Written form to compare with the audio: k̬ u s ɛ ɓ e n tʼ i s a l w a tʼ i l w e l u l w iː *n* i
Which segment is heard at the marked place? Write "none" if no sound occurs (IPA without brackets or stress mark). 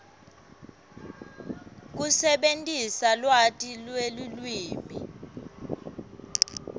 m